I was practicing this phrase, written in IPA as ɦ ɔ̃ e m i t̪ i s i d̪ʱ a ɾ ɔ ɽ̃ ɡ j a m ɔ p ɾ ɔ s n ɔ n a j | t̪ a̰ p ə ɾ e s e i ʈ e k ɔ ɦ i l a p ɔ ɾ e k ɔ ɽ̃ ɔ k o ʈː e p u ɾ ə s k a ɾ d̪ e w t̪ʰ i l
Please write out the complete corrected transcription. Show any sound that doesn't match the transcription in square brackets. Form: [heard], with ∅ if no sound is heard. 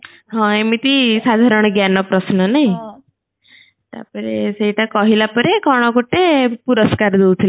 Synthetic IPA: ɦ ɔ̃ e m i t̪ i s [a] d̪ʱ a ɾ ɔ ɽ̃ ɡ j a [n] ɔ p ɾ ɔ s n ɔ n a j | t̪ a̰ p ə ɾ e s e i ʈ [a] k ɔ ɦ i l a p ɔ ɾ e k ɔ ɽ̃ ɔ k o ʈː e p u ɾ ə s k a ɾ d̪ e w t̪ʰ i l